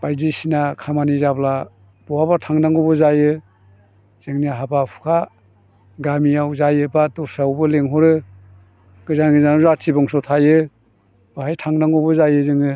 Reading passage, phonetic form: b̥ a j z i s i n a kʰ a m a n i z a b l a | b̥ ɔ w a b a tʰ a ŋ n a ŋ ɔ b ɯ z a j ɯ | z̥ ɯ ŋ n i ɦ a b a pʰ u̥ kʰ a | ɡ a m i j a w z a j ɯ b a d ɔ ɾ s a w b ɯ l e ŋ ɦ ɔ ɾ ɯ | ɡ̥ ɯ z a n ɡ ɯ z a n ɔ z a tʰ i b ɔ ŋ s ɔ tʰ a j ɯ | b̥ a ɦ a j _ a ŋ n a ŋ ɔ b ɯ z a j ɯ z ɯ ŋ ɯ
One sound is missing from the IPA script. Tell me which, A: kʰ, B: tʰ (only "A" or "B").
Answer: B